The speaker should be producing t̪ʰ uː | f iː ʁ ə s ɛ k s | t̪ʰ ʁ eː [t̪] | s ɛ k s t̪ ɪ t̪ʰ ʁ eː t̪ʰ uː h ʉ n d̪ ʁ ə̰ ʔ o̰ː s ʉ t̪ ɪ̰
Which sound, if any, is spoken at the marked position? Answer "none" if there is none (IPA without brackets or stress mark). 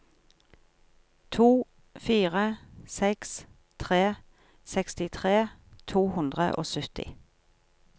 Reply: none